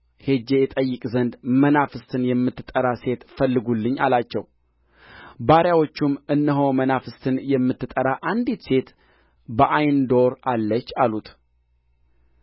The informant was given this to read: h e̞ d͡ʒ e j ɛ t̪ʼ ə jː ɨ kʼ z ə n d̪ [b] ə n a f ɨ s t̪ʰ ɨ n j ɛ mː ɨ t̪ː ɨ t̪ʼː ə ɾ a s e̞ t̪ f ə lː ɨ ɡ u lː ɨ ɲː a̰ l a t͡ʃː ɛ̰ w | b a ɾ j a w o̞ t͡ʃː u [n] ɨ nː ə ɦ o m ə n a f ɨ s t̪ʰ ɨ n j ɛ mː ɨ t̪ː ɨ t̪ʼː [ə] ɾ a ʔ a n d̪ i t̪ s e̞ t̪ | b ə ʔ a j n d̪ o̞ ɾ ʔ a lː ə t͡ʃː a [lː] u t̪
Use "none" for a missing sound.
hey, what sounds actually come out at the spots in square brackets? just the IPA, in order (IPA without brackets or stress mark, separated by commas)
m, m, ə, l